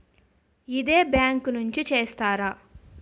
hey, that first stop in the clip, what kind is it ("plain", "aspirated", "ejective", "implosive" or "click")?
plain